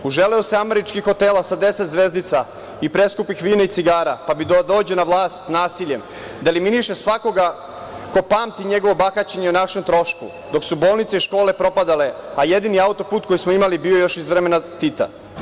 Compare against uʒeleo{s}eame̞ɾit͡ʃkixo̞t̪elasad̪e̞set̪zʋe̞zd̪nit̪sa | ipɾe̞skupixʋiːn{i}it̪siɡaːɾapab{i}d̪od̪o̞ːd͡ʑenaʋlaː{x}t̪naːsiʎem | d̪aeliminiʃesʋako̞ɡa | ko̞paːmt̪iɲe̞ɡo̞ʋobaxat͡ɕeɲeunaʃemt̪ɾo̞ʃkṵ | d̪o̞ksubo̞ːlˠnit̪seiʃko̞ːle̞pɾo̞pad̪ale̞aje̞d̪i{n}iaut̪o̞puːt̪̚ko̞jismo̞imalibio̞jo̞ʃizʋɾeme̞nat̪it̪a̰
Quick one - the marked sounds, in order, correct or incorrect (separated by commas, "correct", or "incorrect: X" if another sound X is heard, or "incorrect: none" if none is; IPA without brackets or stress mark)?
correct, incorrect: a, correct, incorrect: s, correct